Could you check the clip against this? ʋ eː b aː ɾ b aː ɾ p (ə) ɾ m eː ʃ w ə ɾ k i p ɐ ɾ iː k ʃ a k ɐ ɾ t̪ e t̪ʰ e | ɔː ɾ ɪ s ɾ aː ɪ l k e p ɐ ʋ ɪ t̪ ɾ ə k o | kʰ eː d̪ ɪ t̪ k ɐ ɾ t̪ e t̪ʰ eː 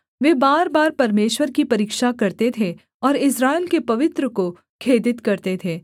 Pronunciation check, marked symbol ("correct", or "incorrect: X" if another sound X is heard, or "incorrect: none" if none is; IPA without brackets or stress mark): incorrect: ɐ